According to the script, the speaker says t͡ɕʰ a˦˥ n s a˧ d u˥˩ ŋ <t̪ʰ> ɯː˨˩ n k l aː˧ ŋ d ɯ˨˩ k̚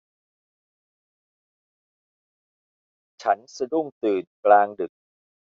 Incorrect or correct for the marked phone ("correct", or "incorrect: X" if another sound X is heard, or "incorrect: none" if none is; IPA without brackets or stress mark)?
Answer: incorrect: t̪